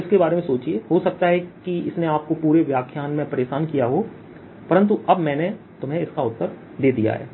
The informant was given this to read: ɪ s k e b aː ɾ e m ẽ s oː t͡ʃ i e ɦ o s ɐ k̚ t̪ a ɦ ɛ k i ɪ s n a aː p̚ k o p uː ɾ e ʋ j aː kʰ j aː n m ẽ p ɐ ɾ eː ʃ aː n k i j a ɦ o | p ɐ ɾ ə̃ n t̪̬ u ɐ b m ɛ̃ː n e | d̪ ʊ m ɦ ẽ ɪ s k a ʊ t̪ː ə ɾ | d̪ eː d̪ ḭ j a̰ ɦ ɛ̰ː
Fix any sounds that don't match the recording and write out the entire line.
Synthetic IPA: ɪ s k e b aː ɾ e m ẽ s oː t͡ʃ i e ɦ o s ɐ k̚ t̪ a ɦ ɛ k i ɪ s n e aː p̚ k o p uː ɾ e ʋ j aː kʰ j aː n m ẽ p ɐ ɾ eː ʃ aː n k i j a ɦ o | p ɐ ɾ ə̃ n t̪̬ u ɐ b m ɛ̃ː n e | t̪ ʊ m ɦ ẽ ɪ s k a ʊ t̪ː ə ɾ | d̪ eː d̪ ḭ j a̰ ɦ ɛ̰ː